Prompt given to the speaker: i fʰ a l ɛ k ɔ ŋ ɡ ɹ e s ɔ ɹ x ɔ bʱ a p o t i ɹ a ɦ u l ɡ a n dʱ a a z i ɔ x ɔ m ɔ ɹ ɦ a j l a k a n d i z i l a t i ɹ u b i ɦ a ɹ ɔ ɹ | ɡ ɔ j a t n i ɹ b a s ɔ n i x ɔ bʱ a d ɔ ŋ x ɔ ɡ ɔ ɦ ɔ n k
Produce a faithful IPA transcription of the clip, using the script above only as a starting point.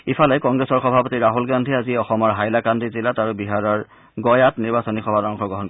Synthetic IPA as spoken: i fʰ a l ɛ k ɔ ŋ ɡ ɹ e s ɔ ɹ x ɔ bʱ a p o t i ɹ a ɦ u l ɡ a n dʱ i a z i ɔ x ɔ m ɔ ɹ ɦ a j l a k a n d i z i l a t a ɹ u b i ɦ a ɹ ɔ ɹ | ɡ ɔ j a t n i ɹ b a s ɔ n i x ɔ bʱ a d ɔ ŋ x ɔ ɡ ɔ ɦ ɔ n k